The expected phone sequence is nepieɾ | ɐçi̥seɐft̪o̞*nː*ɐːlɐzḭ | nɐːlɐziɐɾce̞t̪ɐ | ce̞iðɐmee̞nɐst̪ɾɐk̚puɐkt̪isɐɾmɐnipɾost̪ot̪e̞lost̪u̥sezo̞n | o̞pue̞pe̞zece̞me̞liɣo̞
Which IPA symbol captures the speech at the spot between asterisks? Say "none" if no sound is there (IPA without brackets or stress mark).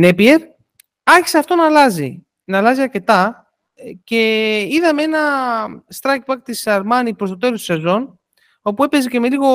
n